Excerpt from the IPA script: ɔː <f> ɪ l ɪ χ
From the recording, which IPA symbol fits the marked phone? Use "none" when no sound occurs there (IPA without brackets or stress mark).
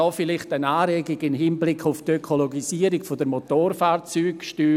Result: f